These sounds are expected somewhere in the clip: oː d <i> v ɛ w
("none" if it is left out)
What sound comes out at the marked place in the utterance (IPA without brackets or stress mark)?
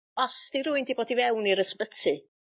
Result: i